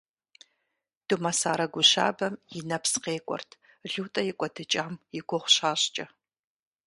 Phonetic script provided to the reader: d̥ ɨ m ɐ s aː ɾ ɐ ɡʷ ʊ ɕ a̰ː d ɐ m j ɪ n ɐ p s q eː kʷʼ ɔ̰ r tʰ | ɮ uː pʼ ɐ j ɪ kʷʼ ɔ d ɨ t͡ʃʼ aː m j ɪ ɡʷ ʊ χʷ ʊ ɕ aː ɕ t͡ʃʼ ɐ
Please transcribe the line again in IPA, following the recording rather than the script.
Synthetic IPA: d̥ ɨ m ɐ s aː ɾ ɐ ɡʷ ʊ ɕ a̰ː b ɐ m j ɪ n ɐ p s q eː kʷʼ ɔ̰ r tʰ | ɮ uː tʼ ɐ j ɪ kʷʼ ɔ d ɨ t͡ʃʼ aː m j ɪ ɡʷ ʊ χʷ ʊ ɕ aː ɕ t͡ʃʼ ɐ